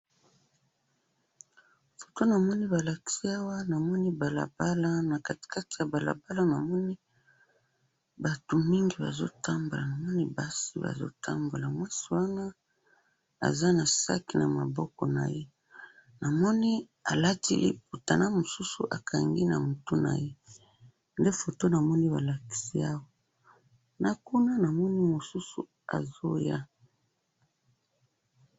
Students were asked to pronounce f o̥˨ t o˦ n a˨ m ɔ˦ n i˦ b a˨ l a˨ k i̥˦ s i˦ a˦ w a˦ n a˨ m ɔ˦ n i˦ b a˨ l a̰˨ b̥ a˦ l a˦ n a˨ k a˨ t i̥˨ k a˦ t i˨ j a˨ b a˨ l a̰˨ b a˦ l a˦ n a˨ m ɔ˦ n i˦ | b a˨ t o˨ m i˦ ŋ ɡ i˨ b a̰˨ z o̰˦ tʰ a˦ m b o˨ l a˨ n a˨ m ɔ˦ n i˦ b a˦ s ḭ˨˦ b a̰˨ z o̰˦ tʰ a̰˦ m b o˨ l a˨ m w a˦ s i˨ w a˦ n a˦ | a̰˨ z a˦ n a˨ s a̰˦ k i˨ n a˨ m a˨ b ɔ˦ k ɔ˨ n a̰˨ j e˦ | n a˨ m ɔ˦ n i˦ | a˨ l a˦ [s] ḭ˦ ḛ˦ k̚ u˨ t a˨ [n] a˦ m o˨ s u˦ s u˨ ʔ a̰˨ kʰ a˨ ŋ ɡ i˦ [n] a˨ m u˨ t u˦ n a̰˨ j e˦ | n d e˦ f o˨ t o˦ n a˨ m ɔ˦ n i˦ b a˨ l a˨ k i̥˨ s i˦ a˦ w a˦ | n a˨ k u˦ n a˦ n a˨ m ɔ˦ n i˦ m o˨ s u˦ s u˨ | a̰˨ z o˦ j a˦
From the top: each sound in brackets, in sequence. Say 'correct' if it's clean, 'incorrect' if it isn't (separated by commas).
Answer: incorrect, correct, correct